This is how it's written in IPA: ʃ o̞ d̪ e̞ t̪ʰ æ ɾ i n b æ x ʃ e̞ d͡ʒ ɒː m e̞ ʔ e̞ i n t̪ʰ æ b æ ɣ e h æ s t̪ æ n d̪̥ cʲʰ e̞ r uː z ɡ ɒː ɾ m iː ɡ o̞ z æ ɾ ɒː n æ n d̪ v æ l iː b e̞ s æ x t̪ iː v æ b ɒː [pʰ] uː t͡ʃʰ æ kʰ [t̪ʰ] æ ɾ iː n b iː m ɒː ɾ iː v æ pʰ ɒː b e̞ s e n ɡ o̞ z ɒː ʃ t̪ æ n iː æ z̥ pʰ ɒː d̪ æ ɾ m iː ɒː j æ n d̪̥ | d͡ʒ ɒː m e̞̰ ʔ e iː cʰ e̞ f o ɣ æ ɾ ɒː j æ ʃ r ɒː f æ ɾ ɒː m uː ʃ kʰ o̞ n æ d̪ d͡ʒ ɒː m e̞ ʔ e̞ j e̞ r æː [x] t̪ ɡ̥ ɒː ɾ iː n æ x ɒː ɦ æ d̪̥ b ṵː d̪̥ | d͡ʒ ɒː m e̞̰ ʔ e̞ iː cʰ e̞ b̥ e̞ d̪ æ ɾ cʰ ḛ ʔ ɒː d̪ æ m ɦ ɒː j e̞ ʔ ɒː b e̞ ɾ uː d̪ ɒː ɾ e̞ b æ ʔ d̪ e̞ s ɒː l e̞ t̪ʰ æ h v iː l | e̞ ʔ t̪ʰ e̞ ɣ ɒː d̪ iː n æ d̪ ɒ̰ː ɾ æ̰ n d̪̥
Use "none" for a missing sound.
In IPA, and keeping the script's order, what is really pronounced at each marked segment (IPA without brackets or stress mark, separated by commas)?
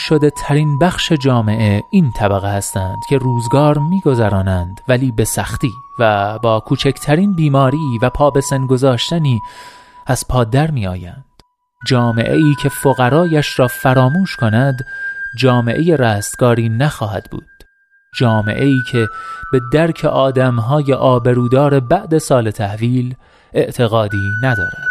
kʰ, t̪ʰ, s